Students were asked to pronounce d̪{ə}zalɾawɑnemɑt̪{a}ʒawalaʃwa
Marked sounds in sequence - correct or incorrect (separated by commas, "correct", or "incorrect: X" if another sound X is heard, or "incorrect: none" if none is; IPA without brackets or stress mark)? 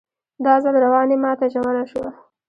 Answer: incorrect: ɑ, correct